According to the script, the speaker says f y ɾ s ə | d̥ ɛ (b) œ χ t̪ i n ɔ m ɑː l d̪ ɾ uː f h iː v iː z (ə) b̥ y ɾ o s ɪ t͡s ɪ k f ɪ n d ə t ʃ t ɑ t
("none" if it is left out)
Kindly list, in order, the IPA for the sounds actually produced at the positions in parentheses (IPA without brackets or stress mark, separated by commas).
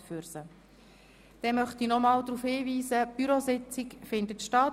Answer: m, ə